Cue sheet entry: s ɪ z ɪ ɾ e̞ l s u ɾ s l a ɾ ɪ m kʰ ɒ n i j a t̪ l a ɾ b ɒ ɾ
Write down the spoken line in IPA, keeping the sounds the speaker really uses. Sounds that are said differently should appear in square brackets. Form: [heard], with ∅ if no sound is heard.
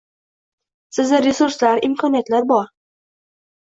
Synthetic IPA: s ɪ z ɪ ɾ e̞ [∅] s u ɾ s l a ɾ ɪ m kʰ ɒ n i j a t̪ l a ɾ b ɒ ɾ